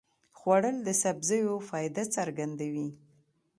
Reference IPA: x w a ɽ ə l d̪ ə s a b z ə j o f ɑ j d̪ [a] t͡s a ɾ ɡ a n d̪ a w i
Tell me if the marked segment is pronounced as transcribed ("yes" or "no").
yes